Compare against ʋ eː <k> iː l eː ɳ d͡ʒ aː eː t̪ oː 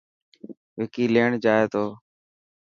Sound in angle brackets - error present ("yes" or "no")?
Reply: no